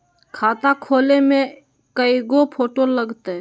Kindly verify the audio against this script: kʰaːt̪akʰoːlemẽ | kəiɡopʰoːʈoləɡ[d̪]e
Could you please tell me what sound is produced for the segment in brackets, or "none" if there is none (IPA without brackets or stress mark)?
t̪